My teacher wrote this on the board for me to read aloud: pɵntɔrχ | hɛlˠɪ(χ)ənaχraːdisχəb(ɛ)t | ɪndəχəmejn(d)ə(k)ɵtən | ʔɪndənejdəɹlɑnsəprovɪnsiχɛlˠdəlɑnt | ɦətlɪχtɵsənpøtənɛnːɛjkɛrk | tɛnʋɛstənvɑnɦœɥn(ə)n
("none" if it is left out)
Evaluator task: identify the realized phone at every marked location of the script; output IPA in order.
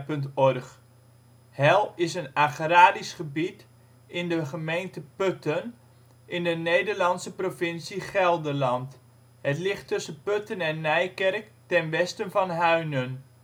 s, i, t, p, ə

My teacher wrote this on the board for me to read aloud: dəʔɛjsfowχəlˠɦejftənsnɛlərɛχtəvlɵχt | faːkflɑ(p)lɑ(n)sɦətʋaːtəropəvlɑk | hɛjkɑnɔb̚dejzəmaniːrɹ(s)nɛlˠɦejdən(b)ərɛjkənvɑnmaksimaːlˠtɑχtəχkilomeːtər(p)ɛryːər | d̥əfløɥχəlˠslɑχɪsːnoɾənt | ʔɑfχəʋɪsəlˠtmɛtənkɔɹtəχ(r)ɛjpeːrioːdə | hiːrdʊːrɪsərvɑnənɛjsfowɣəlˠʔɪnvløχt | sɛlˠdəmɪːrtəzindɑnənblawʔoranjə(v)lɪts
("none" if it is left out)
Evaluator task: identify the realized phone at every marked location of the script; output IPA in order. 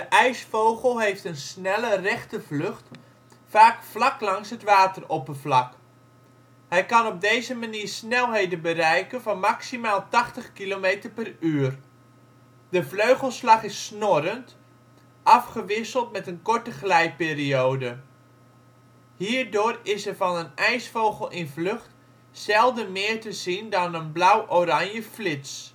k, ŋ, s, b, p, l, f

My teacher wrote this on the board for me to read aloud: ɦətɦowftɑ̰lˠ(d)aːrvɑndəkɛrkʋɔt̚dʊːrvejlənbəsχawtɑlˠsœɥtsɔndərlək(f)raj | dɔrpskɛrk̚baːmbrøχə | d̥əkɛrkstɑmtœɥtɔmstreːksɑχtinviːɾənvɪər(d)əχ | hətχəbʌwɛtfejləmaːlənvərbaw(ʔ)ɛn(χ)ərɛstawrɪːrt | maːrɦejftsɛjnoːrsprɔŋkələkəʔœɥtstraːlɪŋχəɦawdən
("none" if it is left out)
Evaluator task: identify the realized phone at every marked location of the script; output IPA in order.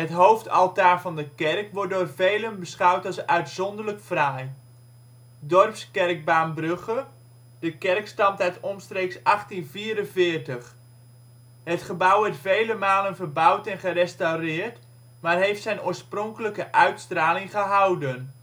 t, f, t, t, χ

